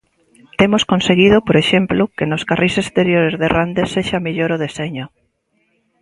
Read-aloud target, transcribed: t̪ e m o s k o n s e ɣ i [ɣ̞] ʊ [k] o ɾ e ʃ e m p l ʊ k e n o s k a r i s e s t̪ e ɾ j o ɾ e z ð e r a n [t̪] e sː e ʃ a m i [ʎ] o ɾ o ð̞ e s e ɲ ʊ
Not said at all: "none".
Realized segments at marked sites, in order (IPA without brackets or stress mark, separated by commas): ð̞, p, d̪, ʎ